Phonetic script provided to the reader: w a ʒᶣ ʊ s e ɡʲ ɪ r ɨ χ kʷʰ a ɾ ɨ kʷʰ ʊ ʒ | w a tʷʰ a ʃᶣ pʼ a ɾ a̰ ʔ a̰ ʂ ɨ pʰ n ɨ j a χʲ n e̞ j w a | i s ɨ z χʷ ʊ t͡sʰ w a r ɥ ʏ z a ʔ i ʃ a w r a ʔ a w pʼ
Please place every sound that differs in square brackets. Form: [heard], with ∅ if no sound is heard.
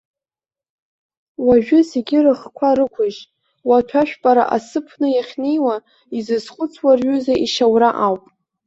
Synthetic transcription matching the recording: w a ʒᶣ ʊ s e ɡʲ ɪ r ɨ χ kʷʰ a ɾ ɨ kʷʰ ʊ ʒ | w a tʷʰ a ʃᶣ pʼ a ɾ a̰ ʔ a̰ [s] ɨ pʰ n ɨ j a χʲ n e̞ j w a | i [z] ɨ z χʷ ʊ t͡sʰ w a r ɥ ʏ z a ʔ i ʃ a w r a ʔ a w pʼ